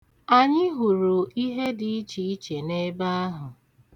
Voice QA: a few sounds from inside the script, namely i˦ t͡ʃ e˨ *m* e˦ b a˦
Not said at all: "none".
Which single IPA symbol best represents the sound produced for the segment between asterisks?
n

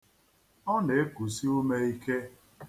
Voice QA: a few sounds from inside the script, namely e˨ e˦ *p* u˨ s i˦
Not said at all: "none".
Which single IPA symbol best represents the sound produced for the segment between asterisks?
k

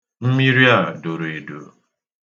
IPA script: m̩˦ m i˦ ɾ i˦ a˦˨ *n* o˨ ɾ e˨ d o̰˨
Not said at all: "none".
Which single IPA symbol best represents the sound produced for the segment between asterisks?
d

